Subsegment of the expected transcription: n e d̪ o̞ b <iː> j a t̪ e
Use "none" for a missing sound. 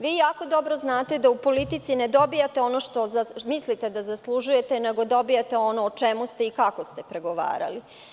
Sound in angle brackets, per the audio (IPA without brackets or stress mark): i